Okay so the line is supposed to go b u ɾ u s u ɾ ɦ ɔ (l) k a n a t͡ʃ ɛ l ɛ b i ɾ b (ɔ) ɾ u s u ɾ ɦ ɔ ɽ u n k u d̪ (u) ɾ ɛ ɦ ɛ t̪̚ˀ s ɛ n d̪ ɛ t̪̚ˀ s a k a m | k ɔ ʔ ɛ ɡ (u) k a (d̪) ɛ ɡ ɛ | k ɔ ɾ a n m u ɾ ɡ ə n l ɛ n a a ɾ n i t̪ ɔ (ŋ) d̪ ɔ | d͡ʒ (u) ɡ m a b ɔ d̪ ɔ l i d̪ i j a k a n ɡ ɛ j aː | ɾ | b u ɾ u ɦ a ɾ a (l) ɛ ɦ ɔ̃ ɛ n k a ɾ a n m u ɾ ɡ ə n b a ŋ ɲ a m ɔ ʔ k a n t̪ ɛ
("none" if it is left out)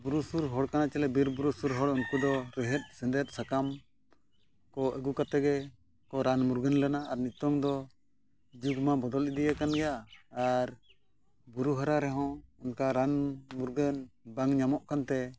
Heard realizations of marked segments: ɽ, u, ɔ, u, t̪, ŋ, u, ɾ

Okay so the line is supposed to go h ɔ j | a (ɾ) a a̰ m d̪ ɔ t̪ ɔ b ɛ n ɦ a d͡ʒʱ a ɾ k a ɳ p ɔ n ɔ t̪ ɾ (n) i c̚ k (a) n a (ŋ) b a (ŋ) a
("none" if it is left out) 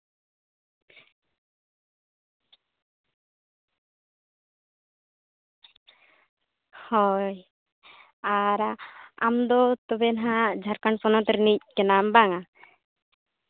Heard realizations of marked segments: ɾ, n, ɛ, m, ŋ

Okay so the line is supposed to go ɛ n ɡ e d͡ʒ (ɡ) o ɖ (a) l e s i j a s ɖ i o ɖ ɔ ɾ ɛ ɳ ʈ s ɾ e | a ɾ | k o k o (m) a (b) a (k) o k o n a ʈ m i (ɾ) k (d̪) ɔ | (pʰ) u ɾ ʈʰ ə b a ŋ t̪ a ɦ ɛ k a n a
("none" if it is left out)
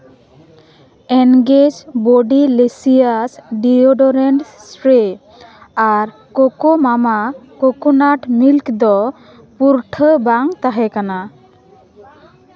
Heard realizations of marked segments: b, i, m, m, k, l, d̪, p

